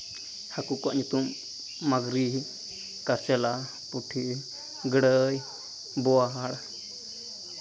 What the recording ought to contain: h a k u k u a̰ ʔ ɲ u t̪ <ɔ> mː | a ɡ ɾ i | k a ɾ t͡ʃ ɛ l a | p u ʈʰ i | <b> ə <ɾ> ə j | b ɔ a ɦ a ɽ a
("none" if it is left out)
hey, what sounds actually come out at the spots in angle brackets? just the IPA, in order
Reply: u, ɡ, ɽ

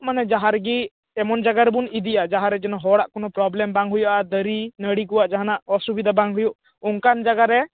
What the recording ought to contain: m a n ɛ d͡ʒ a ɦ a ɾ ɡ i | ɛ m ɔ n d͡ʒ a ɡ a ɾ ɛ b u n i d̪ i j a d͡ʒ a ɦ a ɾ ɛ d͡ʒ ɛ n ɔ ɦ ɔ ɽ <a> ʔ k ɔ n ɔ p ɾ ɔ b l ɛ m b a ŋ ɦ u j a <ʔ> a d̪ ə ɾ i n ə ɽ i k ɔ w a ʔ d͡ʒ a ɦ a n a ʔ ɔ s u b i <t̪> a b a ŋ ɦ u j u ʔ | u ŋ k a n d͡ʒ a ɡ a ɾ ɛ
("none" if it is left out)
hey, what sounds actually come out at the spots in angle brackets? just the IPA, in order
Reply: a, ʔ, d̪

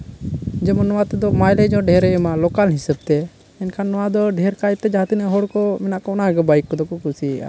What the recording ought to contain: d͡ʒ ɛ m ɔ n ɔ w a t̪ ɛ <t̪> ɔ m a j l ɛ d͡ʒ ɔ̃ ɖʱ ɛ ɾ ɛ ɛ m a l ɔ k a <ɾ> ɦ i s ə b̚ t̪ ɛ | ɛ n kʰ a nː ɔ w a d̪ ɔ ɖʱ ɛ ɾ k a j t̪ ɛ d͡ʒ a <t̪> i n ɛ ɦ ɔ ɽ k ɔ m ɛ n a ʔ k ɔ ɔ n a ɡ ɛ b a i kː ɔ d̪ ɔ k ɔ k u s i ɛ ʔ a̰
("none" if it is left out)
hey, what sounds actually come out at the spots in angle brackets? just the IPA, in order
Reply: d̪, l, t̪

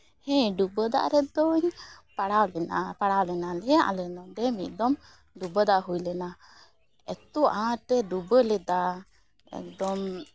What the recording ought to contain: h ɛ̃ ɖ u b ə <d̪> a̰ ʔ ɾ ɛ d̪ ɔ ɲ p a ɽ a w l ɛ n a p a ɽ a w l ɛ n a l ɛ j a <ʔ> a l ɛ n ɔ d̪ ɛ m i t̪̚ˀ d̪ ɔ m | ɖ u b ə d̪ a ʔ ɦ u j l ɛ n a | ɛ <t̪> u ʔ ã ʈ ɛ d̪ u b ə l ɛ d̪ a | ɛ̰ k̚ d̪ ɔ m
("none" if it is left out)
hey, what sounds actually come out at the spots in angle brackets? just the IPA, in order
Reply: d̪, ʔ, t̪

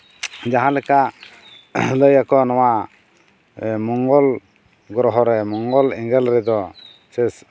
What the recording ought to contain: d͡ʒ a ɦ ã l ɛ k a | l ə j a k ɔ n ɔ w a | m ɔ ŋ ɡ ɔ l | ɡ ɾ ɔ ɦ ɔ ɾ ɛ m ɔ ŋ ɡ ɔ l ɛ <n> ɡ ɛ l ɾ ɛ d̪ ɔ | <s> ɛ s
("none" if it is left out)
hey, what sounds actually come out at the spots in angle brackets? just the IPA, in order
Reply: ŋ, s

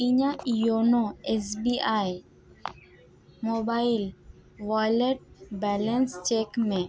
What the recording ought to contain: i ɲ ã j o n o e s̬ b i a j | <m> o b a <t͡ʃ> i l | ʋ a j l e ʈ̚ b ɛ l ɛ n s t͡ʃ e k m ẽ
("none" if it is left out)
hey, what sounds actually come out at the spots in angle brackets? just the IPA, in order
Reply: m, none

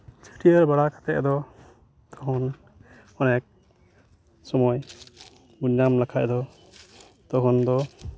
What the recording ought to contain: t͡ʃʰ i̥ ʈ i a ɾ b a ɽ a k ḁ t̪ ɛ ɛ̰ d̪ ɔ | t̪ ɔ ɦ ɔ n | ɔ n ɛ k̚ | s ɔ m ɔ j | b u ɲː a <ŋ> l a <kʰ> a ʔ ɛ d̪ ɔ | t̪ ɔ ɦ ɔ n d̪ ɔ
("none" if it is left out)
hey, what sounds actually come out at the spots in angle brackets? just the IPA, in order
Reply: m, kʰ

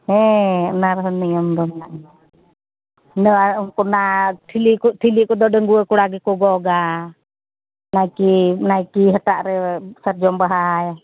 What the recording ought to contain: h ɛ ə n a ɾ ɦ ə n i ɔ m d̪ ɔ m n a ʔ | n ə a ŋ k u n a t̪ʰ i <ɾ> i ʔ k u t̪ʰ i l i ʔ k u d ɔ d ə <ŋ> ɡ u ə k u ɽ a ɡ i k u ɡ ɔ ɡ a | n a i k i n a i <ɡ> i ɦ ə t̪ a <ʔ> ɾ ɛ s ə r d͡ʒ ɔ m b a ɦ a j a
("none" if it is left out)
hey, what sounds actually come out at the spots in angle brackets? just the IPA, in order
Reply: l, ŋ, k, ʔ

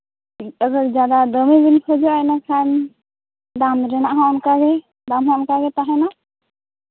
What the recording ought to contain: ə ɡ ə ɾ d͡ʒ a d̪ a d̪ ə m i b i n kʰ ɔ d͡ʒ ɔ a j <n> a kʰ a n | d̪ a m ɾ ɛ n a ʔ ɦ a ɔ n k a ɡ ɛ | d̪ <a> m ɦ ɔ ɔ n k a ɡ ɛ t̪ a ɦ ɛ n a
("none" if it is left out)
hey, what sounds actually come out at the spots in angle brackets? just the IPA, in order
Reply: n, a

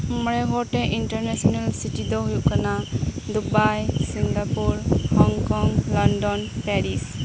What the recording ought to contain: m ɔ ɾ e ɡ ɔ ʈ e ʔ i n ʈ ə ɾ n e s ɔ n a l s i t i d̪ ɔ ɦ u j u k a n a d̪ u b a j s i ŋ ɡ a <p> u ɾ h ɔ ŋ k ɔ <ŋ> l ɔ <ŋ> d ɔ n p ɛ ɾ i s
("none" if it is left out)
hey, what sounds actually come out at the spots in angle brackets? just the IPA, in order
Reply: p, ŋ, n

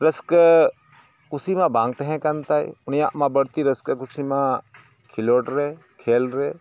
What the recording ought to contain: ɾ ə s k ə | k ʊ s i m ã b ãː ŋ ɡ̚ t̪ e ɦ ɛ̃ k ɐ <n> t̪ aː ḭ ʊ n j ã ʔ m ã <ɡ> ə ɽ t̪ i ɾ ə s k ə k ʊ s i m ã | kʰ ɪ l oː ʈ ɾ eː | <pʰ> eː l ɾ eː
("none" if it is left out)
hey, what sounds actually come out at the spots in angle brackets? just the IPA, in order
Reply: n, b, kʰ

